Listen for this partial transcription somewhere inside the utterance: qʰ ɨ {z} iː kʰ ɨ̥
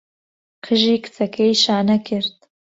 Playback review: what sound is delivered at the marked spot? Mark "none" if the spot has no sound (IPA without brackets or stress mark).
ʒ